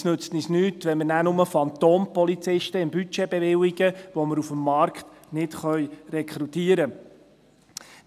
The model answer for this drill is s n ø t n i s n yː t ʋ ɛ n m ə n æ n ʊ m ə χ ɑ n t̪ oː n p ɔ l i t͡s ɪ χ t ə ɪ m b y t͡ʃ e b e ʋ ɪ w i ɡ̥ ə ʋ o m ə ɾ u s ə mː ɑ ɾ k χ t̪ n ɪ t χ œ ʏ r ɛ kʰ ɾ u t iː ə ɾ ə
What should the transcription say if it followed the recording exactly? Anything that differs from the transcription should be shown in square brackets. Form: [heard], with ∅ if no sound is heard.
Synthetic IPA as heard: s n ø [t͡s] n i s n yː t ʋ ɛ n m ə n æ n ʊ m ə [f] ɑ n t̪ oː n p ɔ l i t͡s ɪ [ʃ] t ə ɪ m b y t͡ʃ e b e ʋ ɪ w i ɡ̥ ə ʋ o m ə ɾ u [f] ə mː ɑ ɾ k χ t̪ n ɪ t χ œ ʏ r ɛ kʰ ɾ u t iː ə ɾ ə